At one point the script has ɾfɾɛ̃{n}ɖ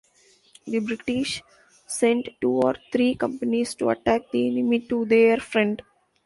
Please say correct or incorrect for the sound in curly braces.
incorrect